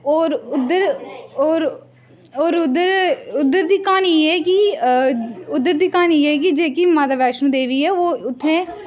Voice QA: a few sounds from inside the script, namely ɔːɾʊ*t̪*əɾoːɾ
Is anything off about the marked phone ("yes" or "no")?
yes